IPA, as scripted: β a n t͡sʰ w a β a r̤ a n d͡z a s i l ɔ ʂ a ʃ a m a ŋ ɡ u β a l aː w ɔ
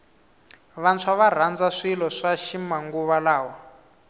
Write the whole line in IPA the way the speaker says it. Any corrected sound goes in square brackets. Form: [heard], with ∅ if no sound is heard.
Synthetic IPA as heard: β a n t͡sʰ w a β a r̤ a n d͡z a [ʂ] i l ɔ ʂ a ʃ [i] m a ŋ ɡ u β a l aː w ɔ